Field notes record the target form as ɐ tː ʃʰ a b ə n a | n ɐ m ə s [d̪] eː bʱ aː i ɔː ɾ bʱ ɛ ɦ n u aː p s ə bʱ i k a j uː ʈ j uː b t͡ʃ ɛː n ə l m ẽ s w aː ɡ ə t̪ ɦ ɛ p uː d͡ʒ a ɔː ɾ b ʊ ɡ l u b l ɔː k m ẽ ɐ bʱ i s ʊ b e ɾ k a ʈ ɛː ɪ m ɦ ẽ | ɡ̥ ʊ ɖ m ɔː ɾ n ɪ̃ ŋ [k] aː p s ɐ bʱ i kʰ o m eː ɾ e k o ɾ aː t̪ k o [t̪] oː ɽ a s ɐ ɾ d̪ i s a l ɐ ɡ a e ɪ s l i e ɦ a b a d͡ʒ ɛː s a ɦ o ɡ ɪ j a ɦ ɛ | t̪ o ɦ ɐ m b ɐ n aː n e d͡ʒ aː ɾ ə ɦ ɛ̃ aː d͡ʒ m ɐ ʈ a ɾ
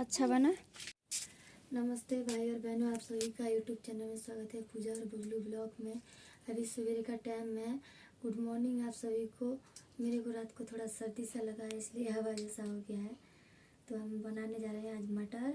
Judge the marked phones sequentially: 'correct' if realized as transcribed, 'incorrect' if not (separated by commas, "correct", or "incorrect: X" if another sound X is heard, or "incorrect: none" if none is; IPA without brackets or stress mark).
incorrect: t̪, incorrect: ɡ, incorrect: t̪ʰ